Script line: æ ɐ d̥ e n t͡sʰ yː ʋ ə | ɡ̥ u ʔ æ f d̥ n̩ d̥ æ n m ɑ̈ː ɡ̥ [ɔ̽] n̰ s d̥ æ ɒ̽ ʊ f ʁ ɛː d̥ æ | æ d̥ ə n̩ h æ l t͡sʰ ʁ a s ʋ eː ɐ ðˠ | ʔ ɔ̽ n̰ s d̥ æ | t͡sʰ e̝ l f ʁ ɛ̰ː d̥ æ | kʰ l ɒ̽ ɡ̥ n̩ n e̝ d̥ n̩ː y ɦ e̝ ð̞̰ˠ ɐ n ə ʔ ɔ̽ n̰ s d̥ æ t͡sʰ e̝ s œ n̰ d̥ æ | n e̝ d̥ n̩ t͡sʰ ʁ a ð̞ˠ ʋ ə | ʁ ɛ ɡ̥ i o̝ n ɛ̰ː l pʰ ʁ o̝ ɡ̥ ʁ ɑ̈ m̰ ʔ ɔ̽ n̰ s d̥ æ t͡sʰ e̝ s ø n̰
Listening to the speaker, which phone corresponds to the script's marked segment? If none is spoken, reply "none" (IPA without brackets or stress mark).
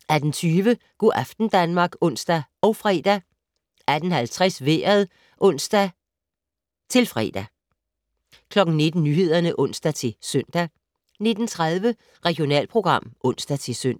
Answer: ɔ̽